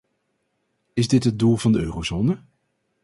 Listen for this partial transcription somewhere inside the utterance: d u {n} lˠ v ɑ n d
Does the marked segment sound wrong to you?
yes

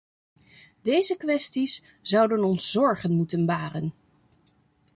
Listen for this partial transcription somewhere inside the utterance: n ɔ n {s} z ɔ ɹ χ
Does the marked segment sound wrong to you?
no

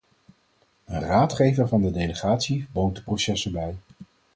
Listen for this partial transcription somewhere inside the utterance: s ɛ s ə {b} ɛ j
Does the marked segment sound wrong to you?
no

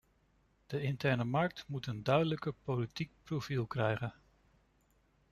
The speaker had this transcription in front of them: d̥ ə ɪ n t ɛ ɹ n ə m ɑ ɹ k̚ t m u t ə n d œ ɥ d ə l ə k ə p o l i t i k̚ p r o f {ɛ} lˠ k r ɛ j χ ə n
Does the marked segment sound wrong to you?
yes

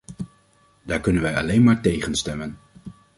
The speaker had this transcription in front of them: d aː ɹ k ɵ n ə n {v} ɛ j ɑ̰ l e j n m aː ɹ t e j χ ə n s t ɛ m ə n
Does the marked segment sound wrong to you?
yes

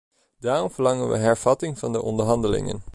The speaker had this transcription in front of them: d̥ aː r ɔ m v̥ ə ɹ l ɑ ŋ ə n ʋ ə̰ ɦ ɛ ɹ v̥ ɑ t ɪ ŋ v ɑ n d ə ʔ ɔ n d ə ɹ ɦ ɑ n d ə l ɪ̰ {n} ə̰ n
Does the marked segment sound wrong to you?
yes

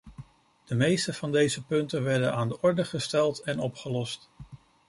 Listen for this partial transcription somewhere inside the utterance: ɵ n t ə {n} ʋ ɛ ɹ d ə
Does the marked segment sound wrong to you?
no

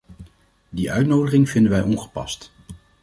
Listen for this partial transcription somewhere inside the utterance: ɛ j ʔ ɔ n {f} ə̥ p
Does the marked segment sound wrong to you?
yes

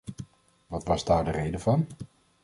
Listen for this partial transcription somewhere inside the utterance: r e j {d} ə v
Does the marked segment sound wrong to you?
no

